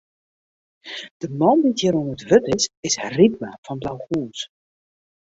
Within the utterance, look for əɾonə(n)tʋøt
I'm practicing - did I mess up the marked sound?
yes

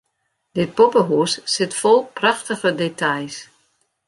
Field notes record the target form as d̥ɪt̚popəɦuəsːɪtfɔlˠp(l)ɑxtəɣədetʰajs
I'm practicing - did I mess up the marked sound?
yes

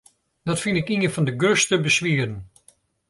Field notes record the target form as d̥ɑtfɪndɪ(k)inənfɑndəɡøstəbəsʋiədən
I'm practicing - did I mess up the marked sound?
no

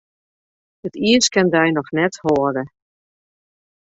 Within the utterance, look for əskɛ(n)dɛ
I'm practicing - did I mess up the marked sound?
no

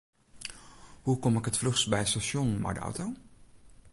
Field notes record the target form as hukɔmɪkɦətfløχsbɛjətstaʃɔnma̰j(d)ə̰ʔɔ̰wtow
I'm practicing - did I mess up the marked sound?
no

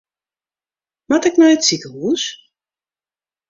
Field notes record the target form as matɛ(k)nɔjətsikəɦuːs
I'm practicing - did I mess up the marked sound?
no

